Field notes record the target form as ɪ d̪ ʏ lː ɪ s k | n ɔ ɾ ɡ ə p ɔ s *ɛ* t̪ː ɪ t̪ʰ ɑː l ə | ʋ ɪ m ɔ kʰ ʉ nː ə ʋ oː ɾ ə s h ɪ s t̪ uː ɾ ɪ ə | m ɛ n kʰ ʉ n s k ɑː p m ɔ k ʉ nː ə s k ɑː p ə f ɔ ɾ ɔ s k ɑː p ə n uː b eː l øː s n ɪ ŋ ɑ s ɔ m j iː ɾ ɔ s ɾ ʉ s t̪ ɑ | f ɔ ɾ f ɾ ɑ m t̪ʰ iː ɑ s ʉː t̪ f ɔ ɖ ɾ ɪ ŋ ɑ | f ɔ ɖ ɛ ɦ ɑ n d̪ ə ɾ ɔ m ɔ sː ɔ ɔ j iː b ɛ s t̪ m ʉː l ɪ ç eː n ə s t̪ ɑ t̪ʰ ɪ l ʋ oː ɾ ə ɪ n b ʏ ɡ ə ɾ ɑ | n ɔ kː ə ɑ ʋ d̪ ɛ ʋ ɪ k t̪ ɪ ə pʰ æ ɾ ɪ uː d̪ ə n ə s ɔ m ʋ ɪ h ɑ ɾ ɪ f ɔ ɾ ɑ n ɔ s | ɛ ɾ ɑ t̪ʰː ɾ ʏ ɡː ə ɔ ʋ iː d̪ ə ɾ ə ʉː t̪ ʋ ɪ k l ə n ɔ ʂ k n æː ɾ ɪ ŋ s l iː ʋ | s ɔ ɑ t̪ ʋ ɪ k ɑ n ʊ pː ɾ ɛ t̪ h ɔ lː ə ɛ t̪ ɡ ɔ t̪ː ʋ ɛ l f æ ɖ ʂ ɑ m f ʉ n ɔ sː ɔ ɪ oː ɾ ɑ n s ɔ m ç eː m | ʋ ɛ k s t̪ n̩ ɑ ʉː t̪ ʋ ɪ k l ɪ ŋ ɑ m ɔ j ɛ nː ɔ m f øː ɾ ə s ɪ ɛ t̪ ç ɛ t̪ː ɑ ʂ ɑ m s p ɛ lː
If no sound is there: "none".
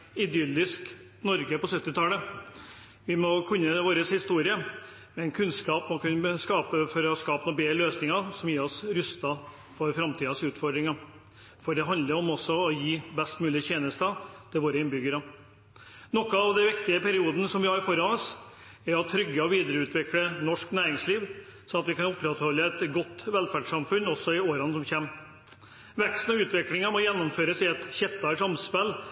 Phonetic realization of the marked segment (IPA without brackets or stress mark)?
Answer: œ